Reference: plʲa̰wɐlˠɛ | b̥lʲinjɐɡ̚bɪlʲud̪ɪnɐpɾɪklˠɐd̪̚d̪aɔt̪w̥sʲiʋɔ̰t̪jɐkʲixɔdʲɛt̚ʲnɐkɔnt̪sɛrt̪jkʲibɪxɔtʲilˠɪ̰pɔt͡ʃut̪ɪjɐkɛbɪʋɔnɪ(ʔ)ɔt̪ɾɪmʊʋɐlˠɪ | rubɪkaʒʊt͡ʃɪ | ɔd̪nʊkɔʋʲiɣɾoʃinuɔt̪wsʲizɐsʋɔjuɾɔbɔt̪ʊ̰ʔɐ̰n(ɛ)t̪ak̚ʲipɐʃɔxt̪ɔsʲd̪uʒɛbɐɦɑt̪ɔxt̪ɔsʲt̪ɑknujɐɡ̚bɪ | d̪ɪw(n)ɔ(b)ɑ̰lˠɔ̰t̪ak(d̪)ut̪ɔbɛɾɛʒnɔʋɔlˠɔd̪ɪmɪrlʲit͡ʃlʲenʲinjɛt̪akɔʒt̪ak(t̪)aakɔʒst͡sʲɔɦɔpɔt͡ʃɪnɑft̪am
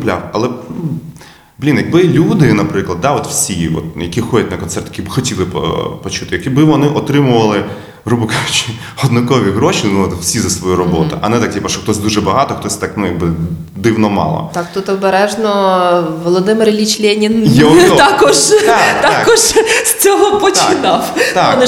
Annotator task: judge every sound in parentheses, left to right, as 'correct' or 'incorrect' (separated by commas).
correct, correct, correct, incorrect, incorrect, correct